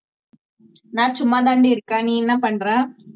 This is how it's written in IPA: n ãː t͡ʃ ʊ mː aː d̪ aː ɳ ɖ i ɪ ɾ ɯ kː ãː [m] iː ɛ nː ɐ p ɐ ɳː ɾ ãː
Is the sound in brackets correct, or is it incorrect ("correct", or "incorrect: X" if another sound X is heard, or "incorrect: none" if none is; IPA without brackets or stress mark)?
incorrect: n